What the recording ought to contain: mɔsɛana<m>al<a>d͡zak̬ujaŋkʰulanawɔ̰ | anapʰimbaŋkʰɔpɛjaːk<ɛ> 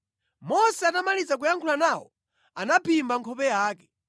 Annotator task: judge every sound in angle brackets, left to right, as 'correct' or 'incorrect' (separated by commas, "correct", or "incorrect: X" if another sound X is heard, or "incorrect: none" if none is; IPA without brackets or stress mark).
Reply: correct, incorrect: i, correct